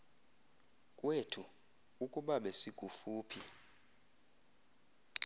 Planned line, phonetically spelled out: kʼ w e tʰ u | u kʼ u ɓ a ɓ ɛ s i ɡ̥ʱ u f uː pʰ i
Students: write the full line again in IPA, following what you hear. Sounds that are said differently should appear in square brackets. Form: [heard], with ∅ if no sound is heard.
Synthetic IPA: kʼ w e tʰ u | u kʼ u ɓ a ɓ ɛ s i ɡ̥ʱ u f uː pʰ i